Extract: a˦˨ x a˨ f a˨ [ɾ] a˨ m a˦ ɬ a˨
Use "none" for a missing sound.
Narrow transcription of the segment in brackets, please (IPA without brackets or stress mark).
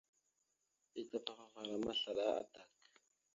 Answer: ɾ